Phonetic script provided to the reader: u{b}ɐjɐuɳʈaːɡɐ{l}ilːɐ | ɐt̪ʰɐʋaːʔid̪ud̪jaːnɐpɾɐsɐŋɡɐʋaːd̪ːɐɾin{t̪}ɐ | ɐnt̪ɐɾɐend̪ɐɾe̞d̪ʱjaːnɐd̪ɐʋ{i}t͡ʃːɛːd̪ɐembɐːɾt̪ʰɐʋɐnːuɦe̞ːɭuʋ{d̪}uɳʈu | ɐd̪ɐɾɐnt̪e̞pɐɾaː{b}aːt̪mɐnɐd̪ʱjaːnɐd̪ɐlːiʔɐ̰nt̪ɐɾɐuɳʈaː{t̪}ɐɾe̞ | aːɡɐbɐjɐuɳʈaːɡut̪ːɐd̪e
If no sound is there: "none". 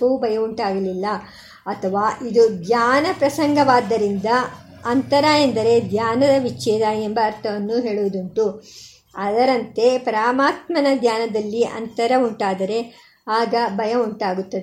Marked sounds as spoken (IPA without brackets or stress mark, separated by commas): b, l, d̪, i, d̪, m, d̪